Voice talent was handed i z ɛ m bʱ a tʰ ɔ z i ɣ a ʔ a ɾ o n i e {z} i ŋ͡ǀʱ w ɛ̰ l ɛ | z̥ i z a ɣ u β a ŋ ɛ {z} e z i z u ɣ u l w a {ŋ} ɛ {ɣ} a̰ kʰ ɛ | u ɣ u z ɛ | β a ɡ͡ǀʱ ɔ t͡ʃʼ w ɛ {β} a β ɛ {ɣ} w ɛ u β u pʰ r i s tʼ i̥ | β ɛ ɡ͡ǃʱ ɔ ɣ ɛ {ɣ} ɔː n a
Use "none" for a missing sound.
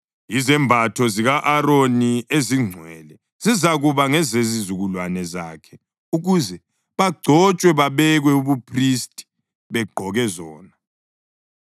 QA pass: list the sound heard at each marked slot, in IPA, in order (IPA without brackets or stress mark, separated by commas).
z, z, n, z, β, ɣ, z